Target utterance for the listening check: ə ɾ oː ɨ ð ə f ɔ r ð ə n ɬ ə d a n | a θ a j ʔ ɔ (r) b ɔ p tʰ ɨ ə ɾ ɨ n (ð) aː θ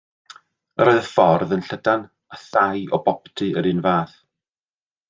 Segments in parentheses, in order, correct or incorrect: incorrect: none, incorrect: v

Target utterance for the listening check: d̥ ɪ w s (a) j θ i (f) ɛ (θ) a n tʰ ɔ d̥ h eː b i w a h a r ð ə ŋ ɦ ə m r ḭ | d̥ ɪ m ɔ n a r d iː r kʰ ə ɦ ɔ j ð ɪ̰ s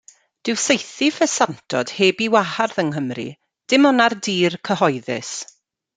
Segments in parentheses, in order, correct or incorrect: incorrect: e, correct, incorrect: s

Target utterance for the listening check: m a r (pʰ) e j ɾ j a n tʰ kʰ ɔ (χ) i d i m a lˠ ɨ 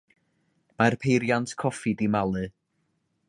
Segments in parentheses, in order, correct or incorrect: correct, incorrect: f

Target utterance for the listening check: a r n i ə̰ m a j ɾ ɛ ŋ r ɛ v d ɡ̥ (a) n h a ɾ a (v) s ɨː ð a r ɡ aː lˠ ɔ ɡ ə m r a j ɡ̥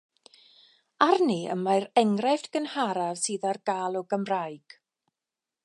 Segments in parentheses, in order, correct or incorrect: incorrect: ə, correct

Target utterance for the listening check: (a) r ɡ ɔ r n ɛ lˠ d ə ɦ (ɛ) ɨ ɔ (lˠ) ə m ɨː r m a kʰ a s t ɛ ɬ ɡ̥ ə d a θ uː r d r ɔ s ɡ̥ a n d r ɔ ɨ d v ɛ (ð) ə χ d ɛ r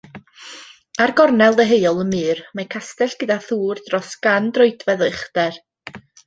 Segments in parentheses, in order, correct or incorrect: correct, incorrect: e, correct, correct

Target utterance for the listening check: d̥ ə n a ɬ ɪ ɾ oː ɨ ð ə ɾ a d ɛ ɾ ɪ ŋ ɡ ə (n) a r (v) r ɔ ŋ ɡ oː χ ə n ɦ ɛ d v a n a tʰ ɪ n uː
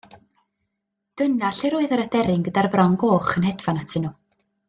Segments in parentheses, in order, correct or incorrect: incorrect: d, correct

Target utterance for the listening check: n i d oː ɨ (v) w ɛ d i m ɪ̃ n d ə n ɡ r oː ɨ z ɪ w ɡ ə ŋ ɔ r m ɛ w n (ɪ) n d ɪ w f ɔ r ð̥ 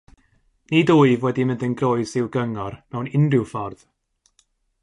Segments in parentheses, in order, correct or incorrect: correct, correct

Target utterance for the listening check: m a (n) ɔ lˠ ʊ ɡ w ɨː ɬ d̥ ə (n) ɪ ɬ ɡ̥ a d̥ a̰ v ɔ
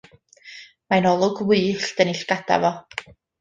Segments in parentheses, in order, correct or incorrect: correct, correct

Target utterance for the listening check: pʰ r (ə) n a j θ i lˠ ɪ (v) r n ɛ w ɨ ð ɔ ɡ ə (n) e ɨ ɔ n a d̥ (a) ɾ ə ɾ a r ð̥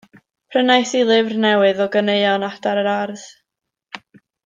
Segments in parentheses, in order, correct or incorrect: correct, correct, correct, correct

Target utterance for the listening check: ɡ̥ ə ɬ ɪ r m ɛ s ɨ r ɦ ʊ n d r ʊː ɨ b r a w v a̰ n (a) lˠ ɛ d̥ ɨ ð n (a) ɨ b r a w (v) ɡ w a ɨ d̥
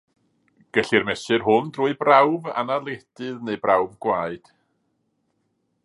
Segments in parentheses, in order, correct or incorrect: correct, incorrect: e, correct

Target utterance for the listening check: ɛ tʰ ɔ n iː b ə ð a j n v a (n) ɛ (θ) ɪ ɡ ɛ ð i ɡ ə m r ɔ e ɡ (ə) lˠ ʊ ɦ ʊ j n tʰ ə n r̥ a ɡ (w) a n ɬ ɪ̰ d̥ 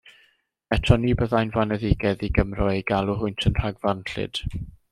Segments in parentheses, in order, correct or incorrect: correct, incorrect: ð, incorrect: a, incorrect: v

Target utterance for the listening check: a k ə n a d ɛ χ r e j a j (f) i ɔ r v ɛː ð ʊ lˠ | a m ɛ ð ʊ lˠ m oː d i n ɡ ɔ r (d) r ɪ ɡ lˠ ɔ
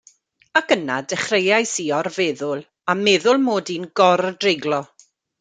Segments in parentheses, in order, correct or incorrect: incorrect: s, correct

